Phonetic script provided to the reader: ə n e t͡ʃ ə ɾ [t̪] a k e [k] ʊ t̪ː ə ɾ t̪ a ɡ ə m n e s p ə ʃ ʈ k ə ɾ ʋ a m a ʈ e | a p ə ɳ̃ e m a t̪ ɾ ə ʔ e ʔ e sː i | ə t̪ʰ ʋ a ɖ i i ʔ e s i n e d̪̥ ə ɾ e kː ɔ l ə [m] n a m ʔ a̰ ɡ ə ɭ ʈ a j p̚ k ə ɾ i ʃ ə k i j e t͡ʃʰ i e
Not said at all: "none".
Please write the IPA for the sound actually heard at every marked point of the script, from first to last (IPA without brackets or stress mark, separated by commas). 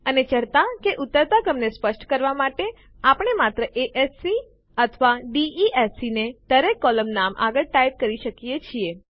t̪, ʔ, m